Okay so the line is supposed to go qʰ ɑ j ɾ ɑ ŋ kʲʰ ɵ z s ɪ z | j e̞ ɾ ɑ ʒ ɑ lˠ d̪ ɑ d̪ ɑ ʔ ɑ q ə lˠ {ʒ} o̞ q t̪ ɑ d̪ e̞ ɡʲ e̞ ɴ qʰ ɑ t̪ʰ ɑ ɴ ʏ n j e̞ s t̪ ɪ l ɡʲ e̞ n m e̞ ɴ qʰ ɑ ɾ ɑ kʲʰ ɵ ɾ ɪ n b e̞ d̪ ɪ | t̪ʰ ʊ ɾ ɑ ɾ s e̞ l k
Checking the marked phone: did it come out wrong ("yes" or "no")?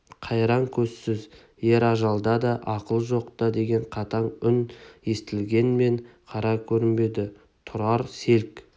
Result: no